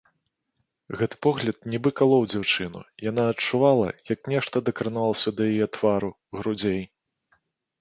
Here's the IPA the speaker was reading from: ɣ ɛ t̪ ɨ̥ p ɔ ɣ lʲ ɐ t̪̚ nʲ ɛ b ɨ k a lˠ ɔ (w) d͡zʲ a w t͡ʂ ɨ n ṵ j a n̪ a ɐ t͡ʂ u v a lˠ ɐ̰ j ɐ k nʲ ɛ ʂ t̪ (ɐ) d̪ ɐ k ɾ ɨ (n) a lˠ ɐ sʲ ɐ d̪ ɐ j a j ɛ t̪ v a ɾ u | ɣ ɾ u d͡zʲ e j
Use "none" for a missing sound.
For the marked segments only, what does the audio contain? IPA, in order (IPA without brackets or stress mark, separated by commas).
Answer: w, ɐ, n